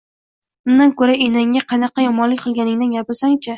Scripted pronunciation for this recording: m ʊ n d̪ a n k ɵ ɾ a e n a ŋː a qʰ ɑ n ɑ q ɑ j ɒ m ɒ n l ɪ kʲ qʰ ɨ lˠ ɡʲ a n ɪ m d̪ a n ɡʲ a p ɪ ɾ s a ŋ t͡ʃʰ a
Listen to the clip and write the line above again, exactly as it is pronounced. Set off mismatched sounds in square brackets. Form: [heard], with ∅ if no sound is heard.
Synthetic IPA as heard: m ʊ n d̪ a n k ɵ ɾ a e n a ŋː a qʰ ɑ n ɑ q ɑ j ɒ m ɒ n l ɪ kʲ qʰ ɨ lˠ ɡʲ a n ɪ [ŋ] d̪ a n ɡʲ a p ɪ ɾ s a ŋ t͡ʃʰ a